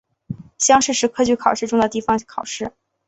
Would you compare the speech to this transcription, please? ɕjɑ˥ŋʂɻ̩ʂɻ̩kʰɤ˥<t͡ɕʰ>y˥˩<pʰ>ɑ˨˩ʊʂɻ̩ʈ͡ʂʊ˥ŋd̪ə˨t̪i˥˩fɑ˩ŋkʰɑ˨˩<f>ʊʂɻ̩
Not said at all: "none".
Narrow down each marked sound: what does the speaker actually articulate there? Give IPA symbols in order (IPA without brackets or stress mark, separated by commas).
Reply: t͡ɕ, kʰ, none